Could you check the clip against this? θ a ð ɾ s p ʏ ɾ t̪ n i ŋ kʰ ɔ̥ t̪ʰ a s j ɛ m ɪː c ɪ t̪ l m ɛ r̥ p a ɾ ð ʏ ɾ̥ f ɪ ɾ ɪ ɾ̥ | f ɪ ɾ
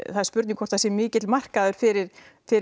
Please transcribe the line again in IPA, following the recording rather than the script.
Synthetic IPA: θ a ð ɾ s p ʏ ɾ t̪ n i ŋ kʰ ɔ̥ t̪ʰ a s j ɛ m ɪː c ɪ t̪ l m a r̥ k a ð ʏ ɾ̥ f ɪ ɾ ɪ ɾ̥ | f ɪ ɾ